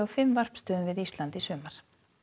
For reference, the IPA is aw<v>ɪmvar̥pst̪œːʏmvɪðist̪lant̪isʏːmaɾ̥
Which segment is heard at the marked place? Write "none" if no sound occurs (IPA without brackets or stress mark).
f